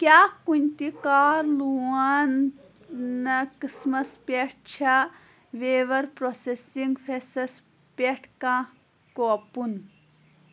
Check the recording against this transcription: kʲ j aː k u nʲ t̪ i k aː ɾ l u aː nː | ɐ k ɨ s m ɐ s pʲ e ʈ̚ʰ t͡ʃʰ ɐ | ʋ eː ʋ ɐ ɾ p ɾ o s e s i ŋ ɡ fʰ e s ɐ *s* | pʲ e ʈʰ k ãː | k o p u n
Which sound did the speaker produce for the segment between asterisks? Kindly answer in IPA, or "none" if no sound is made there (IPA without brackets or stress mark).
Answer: s